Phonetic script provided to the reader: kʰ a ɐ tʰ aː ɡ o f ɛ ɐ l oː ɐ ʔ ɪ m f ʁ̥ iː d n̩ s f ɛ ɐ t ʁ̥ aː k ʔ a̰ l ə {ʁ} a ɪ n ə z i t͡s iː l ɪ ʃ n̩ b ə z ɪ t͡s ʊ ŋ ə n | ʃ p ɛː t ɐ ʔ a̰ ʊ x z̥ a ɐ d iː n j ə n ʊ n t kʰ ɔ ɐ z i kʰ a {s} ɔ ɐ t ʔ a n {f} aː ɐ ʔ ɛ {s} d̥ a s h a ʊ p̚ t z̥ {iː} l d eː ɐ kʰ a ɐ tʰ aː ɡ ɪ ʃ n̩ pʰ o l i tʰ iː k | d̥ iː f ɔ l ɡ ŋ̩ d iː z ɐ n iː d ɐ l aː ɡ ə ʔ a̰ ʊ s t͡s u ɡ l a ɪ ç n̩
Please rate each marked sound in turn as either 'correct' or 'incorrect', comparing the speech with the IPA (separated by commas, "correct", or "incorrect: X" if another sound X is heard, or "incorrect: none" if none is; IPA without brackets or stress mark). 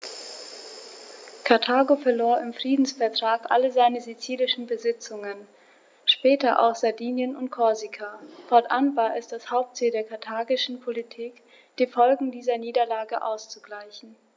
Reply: incorrect: z, incorrect: f, incorrect: v, correct, correct